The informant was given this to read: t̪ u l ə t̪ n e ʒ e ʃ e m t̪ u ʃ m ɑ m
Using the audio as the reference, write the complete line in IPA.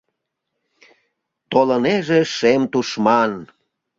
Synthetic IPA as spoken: t̪ o l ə n e ʒ e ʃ e m t̪ u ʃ m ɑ n